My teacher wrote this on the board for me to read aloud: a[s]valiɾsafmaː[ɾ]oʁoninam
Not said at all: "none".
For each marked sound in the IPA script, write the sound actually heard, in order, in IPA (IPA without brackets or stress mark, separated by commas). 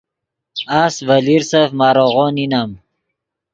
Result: s, ɾ